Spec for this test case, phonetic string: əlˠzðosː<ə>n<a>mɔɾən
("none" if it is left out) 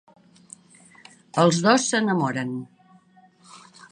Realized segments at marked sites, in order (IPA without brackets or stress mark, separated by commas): ə, ə